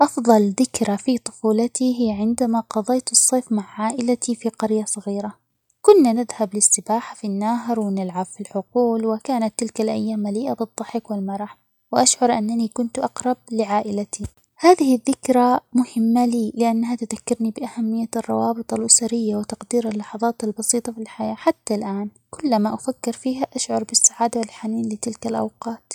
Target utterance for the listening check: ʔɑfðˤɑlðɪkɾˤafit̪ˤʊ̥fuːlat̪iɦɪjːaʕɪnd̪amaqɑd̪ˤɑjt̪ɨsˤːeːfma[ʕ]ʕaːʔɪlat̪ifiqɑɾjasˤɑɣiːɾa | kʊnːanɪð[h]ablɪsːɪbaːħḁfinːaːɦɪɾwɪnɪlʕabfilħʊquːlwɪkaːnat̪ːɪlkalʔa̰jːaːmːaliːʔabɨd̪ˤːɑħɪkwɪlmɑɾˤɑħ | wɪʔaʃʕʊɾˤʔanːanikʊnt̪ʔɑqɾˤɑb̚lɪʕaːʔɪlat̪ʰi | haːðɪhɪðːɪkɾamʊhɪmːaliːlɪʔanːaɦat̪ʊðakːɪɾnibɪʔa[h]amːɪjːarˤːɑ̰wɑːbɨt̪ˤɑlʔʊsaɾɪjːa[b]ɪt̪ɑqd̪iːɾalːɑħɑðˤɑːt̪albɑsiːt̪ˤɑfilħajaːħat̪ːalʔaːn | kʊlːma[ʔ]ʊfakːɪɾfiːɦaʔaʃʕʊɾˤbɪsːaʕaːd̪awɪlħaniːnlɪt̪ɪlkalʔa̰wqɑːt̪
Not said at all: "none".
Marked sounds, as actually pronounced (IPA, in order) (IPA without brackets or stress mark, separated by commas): ʕ, h, h, w, ʔ